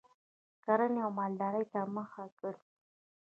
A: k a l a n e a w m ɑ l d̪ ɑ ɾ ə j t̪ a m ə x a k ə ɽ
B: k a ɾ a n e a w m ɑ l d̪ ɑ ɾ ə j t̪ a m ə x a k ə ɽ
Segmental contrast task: B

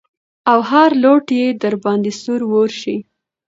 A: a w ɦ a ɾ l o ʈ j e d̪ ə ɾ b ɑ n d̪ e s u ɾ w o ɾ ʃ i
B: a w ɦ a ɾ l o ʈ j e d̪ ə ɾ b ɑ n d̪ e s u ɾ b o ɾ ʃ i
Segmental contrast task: A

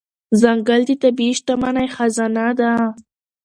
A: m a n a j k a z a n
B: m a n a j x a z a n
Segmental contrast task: B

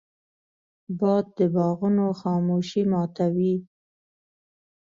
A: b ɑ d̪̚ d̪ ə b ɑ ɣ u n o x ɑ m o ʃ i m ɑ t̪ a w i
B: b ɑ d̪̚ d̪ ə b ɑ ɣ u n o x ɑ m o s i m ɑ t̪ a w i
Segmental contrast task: A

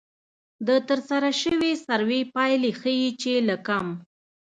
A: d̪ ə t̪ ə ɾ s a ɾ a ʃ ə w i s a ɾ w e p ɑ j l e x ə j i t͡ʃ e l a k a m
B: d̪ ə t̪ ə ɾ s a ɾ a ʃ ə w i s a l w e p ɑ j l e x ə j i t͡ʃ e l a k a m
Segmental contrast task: A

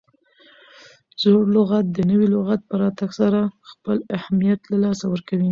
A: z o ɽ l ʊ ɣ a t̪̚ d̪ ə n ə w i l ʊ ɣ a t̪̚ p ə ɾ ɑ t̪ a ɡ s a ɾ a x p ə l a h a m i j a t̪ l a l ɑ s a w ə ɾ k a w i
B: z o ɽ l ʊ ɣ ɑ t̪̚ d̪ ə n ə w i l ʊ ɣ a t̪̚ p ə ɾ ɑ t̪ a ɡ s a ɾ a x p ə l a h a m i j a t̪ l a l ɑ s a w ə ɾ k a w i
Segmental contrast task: A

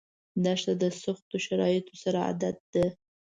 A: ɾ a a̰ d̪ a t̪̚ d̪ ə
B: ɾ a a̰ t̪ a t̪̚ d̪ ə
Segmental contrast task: A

